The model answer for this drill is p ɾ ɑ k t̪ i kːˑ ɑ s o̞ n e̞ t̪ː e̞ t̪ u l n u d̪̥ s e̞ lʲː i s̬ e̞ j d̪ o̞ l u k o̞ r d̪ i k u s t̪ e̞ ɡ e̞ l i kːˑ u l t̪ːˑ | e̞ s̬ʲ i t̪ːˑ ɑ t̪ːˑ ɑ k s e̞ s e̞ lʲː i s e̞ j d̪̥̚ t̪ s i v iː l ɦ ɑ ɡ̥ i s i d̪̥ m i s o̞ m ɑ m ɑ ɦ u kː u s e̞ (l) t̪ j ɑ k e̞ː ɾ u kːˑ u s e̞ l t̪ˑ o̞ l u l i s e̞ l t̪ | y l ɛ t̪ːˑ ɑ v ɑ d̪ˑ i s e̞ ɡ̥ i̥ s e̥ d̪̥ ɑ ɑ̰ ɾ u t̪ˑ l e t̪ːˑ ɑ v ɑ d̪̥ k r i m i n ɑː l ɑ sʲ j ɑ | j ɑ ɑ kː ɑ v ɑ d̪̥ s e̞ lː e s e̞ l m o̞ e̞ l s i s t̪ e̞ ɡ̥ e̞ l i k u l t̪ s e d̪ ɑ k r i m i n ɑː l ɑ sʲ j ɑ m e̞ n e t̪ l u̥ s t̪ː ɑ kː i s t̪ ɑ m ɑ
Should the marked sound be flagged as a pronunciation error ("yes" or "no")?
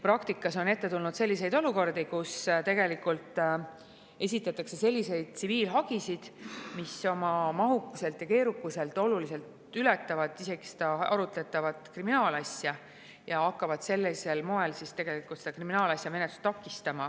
no